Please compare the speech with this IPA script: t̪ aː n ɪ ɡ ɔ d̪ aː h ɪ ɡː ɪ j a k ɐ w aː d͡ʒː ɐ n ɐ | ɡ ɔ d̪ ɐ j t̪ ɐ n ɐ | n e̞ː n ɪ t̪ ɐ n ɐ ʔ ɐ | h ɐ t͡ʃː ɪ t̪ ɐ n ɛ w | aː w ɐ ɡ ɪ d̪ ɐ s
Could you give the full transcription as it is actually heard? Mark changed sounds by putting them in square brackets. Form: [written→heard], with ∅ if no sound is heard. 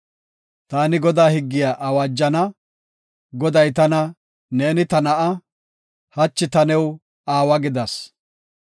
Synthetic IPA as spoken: t̪ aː n ɪ ɡ ɔ d̪ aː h ɪ ɡː ɪ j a [k→ʔ] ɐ w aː d͡ʒː ɐ n ɐ | ɡ ɔ d̪ ɐ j t̪ ɐ n ɐ | n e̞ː n ɪ t̪ ɐ n ɐ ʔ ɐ | h ɐ t͡ʃː ɪ t̪ ɐ n ɛ w | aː w ɐ ɡ ɪ d̪ ɐ s

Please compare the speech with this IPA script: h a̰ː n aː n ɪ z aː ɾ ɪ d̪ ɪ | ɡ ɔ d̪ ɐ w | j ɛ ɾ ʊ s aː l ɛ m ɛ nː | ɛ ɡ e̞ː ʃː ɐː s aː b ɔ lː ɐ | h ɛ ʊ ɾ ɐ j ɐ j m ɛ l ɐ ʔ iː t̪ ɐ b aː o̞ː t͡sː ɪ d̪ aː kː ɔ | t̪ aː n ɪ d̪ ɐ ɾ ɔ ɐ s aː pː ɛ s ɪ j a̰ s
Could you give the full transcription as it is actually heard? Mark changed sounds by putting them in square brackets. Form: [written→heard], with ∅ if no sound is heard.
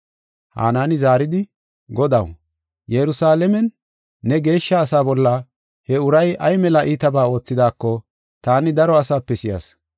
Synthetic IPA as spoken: h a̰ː n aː n ɪ z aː ɾ ɪ d̪ ɪ | ɡ ɔ d̪ ɐ w | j ɛ ɾ ʊ s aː l ɛ m ɛ nː | ɛ ɡ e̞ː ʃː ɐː s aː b ɔ lː ɐ | h ɛ ʊ ɾ ɐ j ɐ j m ɛ l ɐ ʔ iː t̪ ɐ b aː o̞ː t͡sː ɪ d̪ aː kː ɔ | t̪ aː n ɪ d̪ ɐ ɾ ɔ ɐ s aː pː ɛ s ɪ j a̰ s

